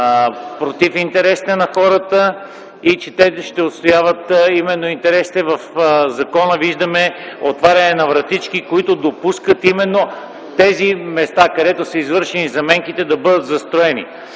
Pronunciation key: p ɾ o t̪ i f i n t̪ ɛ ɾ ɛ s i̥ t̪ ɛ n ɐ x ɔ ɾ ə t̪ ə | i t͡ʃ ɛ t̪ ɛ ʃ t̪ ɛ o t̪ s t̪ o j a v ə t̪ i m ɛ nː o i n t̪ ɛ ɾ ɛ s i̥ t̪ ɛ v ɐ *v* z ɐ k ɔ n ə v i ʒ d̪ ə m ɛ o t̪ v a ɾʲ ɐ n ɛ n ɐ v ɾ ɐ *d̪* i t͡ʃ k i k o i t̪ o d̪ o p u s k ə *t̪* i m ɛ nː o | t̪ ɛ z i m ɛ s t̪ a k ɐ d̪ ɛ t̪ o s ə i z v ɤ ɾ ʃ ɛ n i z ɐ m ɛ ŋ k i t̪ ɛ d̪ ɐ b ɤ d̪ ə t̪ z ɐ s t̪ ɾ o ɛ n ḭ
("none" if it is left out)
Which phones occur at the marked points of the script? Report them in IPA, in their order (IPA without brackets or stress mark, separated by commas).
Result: f, t̪, t̪